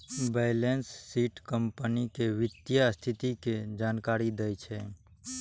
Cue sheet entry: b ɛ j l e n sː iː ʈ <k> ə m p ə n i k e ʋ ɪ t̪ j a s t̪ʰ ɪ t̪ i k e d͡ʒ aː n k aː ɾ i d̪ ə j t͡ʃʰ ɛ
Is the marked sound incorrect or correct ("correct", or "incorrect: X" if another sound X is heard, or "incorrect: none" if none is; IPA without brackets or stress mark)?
correct